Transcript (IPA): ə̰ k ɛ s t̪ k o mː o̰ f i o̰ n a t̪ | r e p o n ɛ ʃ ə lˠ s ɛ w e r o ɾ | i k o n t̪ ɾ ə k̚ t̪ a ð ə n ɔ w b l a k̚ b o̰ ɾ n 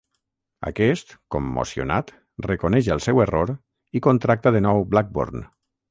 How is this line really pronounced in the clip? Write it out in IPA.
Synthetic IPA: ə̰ k ɛ s t̪ k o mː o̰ s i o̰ n a t̪ | r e k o n ɛ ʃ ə lˠ s ɛ w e r o ɾ | i k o n t̪ ɾ a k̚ t̪ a ð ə n ɔ w b l a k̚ b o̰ ɾ n